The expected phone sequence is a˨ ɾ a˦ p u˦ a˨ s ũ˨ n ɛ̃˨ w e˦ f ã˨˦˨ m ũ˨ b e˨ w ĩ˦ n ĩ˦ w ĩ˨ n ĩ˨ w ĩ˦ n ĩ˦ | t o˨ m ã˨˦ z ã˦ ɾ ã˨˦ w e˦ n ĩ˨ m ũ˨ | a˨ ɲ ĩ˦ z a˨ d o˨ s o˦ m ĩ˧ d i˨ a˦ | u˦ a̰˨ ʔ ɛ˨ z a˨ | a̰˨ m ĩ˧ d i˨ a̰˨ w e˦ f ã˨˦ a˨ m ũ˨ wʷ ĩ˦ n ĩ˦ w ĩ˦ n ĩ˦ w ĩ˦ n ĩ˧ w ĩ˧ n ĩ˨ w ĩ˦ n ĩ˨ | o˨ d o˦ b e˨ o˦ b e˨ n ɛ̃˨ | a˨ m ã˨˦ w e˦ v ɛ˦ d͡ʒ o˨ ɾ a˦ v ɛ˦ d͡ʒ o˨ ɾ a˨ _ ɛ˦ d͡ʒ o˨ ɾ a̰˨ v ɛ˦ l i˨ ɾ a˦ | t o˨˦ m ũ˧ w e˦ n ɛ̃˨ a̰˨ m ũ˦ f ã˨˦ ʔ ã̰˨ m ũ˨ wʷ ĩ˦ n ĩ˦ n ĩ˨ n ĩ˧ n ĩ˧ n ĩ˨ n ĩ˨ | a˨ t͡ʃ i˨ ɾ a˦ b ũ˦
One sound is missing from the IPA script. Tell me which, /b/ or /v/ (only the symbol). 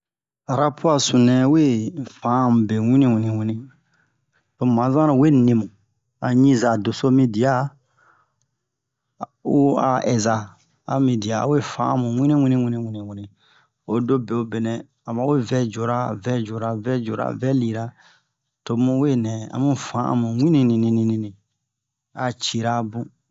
v